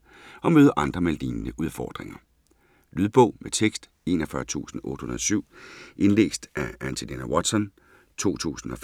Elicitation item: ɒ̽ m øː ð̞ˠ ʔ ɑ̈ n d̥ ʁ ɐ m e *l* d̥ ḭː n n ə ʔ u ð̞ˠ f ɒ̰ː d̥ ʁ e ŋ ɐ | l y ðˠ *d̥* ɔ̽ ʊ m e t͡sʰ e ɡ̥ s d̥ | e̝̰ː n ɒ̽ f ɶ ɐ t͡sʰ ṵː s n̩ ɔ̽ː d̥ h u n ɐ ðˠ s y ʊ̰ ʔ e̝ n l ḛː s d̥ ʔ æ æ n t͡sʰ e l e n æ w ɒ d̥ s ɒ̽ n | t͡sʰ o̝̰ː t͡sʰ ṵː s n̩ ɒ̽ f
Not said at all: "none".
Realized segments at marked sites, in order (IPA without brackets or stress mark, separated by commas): l, b̥